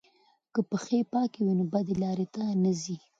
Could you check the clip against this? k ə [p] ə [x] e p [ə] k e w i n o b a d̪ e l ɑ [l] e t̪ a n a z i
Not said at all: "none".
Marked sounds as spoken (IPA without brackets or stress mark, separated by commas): p, x, ɑ, ɾ